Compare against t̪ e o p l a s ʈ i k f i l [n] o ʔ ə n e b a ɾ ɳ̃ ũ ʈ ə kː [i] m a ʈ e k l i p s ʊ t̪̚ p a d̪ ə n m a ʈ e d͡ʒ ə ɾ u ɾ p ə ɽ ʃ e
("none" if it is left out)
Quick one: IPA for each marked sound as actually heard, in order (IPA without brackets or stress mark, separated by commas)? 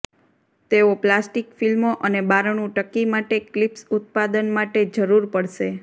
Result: m, i